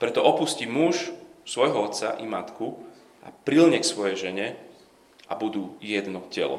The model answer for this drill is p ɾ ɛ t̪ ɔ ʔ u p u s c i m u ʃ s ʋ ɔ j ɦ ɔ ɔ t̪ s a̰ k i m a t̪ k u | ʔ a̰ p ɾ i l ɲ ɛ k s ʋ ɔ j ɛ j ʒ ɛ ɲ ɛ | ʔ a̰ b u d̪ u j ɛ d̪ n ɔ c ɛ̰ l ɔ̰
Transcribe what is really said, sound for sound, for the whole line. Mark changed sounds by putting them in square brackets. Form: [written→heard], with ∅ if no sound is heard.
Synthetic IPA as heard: p ɾ ɛ t̪ ɔ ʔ [u→ɔ] p u s c i m u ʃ s ʋ ɔ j ɦ ɔ ɔ t̪ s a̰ [k→ʔ] i m a t̪ k u | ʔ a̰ p ɾ i l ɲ ɛ k s ʋ ɔ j ɛ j ʒ ɛ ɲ ɛ | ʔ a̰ b u d̪ u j ɛ d̪ n ɔ c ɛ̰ l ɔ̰